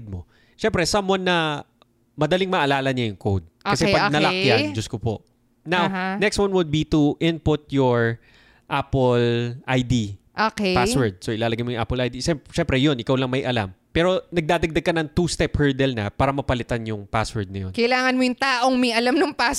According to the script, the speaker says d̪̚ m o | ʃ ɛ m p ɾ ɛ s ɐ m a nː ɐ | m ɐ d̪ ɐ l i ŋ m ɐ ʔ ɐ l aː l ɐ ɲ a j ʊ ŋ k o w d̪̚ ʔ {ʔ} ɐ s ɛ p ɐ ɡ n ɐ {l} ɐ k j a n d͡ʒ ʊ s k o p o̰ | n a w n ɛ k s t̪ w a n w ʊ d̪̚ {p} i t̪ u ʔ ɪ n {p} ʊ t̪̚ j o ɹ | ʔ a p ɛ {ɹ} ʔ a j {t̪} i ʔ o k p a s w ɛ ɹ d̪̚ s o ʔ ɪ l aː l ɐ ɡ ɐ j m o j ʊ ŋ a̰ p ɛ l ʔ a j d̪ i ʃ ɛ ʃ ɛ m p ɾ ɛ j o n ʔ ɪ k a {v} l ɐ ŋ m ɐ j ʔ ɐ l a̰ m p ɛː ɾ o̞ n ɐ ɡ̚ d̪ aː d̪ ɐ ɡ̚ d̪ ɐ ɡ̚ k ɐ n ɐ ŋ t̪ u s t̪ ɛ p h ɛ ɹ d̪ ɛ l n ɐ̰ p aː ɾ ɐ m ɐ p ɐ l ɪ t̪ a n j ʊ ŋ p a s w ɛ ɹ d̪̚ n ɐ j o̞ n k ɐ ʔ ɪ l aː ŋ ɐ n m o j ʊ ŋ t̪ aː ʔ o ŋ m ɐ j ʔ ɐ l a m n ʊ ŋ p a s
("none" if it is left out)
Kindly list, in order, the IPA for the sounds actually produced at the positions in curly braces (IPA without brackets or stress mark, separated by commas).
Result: k, l, b, p, l, d̪, w